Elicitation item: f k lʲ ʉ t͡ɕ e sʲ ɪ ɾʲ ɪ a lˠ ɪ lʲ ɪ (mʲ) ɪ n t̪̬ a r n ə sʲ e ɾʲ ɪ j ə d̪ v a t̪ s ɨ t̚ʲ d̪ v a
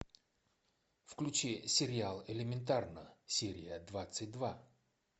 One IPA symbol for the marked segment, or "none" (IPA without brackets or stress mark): mʲ